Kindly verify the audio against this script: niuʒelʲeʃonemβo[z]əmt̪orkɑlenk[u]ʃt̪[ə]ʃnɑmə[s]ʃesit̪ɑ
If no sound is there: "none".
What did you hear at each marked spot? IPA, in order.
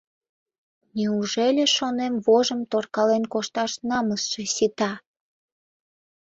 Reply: ʒ, o, ɑ, s

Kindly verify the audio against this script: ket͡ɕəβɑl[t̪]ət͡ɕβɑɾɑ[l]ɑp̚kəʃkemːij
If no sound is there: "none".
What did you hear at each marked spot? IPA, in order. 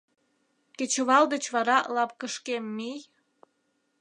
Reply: d̪, l

